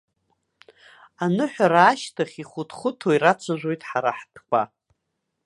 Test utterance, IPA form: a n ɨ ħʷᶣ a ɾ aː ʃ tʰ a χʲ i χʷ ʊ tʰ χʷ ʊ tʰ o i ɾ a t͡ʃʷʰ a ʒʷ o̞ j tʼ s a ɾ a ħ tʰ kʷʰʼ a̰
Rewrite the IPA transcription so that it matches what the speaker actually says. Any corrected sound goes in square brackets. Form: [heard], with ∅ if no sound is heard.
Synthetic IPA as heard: a n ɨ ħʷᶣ a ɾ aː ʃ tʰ a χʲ i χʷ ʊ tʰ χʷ ʊ tʰ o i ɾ a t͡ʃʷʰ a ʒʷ o̞ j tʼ [ħ] a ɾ a ħ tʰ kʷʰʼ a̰

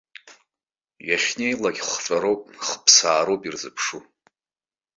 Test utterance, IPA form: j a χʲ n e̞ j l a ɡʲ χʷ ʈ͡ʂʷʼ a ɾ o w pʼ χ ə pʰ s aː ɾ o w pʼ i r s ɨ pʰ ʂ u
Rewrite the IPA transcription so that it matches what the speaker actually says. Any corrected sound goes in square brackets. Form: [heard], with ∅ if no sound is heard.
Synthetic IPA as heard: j a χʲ n e̞ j l a ɡʲ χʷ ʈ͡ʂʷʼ a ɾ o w pʼ χ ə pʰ s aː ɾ o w pʼ i r [z] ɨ pʰ ʂ u

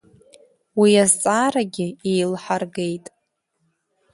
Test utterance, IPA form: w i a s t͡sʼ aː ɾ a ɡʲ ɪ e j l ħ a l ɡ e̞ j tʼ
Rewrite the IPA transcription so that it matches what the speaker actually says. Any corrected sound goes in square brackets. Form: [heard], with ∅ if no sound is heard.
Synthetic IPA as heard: w i a [z] t͡sʼ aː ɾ a ɡʲ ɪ e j l ħ a [r] ɡ e̞ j tʼ

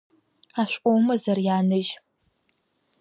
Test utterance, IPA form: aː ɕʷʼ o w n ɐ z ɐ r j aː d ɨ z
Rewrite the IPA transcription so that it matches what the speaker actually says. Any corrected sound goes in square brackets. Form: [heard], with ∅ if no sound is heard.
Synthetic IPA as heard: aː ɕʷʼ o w [m] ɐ z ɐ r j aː [n] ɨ [ʒ]

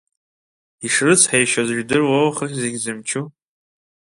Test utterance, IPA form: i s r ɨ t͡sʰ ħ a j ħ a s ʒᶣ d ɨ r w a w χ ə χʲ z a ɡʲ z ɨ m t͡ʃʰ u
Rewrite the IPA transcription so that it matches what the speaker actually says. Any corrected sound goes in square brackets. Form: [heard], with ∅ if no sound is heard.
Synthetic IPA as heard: i [ʂ] r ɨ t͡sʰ ħ a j [ʃ] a [z] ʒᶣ d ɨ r w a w χ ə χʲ z [e] ɡʲ z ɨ m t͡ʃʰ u

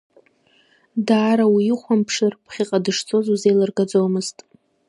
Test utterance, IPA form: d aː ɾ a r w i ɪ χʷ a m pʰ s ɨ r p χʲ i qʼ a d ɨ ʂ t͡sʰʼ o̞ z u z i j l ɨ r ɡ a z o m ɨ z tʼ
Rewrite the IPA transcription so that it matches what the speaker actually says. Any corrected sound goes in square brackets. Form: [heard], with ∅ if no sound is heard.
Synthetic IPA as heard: d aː ɾ a [∅] w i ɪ χʷ a m pʰ [ʂ] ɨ r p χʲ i qʼ a d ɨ ʂ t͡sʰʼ o̞ z u z [e] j l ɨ r ɡ a [d͡z] o m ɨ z tʼ

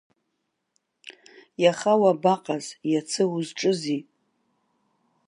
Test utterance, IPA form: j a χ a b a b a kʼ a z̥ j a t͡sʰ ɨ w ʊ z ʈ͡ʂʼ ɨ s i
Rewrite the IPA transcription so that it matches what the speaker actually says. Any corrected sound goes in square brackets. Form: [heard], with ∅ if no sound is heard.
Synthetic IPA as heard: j a χ a [w] a b a [qʼ] a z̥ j a t͡sʰ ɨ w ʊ z ʈ͡ʂʼ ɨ [z] i

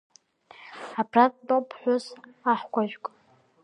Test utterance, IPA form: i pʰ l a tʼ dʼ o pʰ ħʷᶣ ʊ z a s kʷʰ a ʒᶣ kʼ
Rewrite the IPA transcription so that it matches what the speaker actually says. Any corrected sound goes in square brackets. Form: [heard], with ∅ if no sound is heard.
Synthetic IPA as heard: [a] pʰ [r] a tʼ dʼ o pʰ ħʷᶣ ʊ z a [ħ] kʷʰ a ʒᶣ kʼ

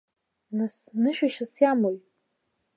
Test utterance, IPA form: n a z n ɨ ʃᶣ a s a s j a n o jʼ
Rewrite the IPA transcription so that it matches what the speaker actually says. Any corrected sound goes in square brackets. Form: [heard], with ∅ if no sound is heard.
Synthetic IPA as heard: n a [s] n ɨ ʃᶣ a [ʃ] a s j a [m] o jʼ

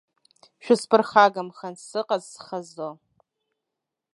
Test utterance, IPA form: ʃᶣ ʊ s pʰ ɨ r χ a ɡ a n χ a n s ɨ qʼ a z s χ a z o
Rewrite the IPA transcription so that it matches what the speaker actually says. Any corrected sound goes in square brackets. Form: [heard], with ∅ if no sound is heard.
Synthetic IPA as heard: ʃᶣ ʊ s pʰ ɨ r χ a ɡ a [m] χ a n s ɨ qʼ a z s χ a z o

